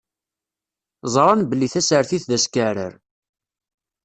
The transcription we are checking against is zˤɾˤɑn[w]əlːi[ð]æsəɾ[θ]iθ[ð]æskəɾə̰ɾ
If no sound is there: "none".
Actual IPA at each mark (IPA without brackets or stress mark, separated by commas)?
b, θ, θ, ð